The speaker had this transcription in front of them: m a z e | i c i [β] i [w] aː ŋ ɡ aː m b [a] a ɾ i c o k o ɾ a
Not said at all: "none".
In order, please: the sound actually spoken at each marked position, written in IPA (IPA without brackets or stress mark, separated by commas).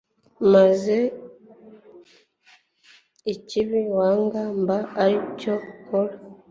β, w, a